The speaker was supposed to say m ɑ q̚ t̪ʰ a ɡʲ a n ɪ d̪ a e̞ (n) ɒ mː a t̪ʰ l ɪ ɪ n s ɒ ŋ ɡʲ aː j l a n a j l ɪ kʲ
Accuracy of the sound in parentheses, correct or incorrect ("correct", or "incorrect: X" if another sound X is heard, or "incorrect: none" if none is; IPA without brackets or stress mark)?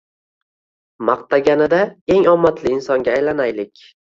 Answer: incorrect: ŋ